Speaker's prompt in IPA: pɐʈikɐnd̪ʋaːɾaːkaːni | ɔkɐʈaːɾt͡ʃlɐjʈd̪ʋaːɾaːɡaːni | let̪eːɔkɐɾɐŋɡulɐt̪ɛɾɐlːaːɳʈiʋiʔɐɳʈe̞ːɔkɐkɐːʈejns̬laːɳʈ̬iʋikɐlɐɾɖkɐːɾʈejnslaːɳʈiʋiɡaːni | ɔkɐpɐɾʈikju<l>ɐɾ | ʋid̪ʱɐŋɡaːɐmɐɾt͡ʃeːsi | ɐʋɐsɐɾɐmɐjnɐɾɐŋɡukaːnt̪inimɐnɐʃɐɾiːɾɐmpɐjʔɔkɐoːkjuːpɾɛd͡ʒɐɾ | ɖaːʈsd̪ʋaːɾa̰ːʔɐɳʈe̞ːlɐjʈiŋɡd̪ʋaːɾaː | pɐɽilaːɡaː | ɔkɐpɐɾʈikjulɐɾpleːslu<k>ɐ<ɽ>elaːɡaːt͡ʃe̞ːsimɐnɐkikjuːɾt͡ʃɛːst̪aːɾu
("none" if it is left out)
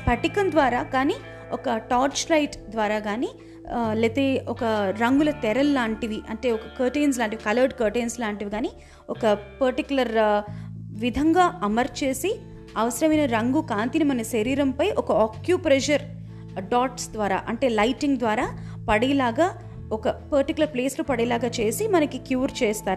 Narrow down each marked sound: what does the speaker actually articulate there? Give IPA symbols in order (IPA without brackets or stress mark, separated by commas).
l, p, ɽ